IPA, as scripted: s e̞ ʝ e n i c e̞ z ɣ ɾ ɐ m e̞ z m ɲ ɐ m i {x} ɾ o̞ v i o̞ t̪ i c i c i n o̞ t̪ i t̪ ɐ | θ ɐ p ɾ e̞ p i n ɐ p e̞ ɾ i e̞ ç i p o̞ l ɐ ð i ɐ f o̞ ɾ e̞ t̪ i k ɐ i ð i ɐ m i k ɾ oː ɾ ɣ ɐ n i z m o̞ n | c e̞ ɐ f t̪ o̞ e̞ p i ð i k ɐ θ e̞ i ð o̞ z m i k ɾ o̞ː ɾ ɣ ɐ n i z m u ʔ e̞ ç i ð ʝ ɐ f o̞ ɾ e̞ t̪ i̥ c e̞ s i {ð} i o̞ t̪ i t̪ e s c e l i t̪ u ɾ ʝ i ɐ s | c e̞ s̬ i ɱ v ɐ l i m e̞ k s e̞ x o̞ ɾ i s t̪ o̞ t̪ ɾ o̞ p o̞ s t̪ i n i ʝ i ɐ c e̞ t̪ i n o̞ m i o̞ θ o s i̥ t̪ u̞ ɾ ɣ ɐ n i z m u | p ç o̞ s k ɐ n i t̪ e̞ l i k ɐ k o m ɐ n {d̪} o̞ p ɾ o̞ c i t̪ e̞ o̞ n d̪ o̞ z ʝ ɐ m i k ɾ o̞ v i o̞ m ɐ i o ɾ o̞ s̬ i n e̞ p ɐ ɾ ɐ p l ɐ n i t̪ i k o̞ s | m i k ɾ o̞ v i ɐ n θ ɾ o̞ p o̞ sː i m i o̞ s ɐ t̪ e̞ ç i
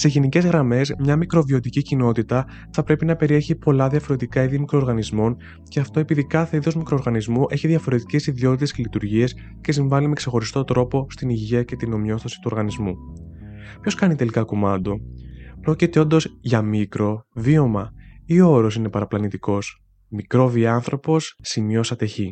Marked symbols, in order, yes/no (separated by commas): no, yes, yes